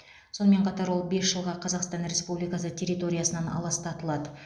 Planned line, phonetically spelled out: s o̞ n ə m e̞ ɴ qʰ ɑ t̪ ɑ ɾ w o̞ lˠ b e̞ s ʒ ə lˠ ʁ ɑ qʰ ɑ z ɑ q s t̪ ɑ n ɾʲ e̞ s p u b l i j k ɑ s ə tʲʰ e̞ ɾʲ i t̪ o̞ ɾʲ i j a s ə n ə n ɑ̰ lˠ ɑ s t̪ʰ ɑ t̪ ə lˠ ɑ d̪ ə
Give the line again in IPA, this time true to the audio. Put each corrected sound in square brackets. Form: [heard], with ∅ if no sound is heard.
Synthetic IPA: s o̞ n ə m e̞ ɴ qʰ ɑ t̪ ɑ ɾ w o̞ lˠ b e̞ s ʒ ə lˠ ʁ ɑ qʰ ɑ z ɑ q s t̪ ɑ n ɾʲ e̞ s p u b l i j k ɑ s ə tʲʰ e̞ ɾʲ i t̪ o̞ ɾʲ i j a s ə n [ɑ] n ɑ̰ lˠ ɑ s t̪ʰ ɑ t̪ ə lˠ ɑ d̪ ə

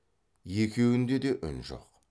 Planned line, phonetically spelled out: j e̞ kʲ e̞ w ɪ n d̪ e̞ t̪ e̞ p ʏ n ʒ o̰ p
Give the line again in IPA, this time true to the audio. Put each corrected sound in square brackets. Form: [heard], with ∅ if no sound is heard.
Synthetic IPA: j e̞ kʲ e̞ w ɪ n d̪ e̞ [d̪] e̞ [ʔ] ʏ n ʒ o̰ [q]

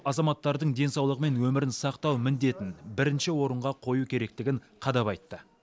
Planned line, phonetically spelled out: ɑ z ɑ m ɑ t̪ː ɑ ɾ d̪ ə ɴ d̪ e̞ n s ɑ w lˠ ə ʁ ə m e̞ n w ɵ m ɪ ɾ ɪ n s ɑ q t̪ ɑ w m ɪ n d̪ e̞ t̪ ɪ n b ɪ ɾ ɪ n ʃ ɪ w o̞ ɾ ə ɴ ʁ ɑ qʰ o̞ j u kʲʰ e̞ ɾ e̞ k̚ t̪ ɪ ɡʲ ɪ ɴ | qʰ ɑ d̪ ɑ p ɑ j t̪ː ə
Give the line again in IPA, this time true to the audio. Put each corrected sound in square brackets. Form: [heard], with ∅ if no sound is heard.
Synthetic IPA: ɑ z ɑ m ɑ t̪ː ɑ ɾ d̪ ə ɴ d̪ e̞ n s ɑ w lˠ ə ʁ ə m e̞ n w ɵ m ɪ ɾ ɪ n s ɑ q t̪ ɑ w m ɪ n d̪ e̞ t̪ ɪ n b ɪ ɾ ɪ n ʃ ɪ w o̞ ɾ ə ɴ ʁ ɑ qʰ o̞ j u kʲʰ e̞ ɾ e̞ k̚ t̪ ɪ ɡʲ ɪ ɴ | qʰ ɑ d̪ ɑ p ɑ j t̪ː ə

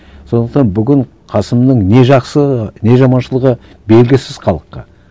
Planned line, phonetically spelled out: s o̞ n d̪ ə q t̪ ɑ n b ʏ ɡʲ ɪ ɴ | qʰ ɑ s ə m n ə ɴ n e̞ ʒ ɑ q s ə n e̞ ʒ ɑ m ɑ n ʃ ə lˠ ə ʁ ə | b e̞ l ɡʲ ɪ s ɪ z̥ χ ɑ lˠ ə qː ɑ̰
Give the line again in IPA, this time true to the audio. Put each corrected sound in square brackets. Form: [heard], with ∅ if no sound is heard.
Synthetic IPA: s o̞ n d̪ ə q t̪ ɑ n b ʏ ɡʲ ɪ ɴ | qʰ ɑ s ə m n ə ɴ n e̞ ʒ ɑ q s ə n e̞ ʒ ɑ m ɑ n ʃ ə lˠ ə ʁ ə | b e̞ l ɡʲ ɪ s ɪ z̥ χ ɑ lˠ ə qː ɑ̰

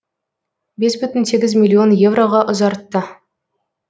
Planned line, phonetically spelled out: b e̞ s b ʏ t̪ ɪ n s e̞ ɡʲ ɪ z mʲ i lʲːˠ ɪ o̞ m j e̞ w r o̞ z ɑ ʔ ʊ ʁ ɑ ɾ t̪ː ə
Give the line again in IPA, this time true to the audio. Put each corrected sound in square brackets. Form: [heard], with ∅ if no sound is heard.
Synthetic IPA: b e̞ s b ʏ t̪ ɪ n s e̞ ɡʲ ɪ z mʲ i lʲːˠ [i] o̞ [n] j e̞ [v] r o̞ [ʁ] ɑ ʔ ʊ [z] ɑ ɾ t̪ː ə

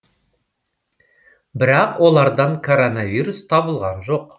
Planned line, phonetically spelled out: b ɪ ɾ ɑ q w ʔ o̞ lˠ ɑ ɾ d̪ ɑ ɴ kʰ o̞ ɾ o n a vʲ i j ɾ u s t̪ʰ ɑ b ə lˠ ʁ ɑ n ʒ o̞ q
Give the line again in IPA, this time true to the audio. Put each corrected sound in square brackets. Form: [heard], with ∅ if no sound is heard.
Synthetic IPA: b ɪ ɾ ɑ q w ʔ o̞ lˠ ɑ ɾ d̪ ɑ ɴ kʰ o̞ ɾ o n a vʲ i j ɾ u s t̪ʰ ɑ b ə lˠ ʁ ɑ n ʒ o̞ q

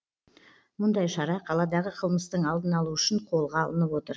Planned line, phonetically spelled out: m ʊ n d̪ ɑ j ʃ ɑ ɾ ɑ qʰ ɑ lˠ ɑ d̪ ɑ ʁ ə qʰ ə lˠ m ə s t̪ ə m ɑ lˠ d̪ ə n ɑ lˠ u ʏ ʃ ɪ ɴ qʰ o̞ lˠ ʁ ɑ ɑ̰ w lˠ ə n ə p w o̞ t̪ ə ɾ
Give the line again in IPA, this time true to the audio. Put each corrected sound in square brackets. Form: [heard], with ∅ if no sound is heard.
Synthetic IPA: m ʊ n d̪ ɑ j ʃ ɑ ɾ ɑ qʰ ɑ lˠ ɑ d̪ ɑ ʁ ə qʰ ə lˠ m ə s t̪ ə [ɴ] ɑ lˠ d̪ ə n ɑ lˠ u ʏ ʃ ɪ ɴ qʰ o̞ lˠ ʁ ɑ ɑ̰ [∅] lˠ ə n ə p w o̞ t̪ ə ɾ

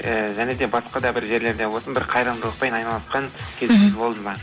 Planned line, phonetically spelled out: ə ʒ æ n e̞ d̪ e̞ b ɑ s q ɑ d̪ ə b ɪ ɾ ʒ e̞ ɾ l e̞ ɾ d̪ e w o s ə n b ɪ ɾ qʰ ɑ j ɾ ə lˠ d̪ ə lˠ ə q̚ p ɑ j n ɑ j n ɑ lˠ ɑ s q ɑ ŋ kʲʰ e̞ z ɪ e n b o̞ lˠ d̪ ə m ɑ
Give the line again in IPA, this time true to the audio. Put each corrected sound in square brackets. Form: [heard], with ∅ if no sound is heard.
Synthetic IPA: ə ʒ æ n e̞ d̪ e̞ b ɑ s q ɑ d̪ [ɑ] b ɪ ɾ ʒ e̞ ɾ l e̞ ɾ d̪ e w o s ə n b ɪ ɾ qʰ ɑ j ɾ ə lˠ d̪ ə lˠ ə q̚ p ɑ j n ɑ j n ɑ lˠ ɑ s q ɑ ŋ kʲʰ e̞ z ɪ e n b o̞ lˠ d̪ ə m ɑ

